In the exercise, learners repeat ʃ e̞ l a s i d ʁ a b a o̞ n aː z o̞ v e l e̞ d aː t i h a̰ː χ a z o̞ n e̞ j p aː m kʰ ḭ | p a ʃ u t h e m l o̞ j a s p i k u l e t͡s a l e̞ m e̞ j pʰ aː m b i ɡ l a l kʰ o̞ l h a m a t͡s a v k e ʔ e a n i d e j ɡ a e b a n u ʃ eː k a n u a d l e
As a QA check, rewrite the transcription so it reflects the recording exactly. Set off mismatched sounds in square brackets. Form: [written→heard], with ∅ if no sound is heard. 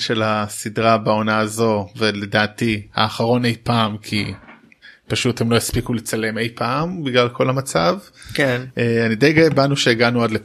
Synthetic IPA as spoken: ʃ e̞ l a s i d ʁ a b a o̞ n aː z o̞ v e l e̞ d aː t i h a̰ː χ a [z→ʁ] o̞ n e̞ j p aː m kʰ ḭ | p a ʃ u t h e m l o̞ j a s p i k u l e t͡s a l e̞ m e̞ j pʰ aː m b i ɡ l a l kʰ o̞ l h a m a t͡s a v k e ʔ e a n i d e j ɡ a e b a n u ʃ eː [k→ɡ] a n u a d l e